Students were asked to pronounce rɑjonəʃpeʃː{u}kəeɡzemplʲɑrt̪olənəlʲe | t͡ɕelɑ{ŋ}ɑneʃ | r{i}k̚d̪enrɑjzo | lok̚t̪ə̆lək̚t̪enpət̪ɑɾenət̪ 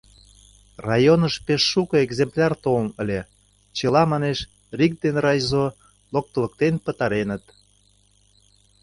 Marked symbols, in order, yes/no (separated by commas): yes, no, yes